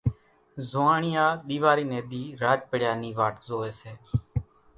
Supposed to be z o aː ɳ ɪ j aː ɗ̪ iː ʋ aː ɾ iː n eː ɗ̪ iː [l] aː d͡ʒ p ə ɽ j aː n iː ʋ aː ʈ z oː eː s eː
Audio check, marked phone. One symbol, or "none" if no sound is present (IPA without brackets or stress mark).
ɾ